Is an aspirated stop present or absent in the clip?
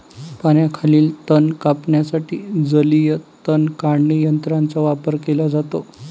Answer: present